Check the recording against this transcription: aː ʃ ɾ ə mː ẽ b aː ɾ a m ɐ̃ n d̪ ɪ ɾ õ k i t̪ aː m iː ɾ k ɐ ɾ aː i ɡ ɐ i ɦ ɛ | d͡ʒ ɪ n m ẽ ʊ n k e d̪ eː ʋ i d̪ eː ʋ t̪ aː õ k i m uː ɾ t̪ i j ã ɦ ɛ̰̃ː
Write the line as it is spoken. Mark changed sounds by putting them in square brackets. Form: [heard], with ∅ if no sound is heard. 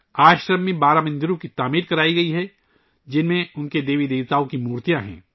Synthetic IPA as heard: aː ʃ ɾ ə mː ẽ b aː ɾ a m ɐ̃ n d̪ ɪ ɾ õ k i t̪ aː m iː ɾ k ɐ ɾ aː i ɡ ɐ i ɦ ɛ | d͡ʒ ɪ n m ẽ ʊ n k e d̪ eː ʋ i d̪ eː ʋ t̪ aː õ k i m uː ɾ t̪ i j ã ɦ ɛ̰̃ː